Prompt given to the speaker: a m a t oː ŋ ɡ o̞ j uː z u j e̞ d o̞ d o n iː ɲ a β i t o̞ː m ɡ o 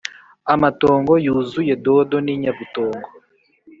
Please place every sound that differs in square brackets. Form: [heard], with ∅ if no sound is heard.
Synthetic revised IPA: a m a t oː ŋ ɡ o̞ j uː z u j e̞ d o̞ d o n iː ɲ a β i t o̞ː [ŋ] ɡ o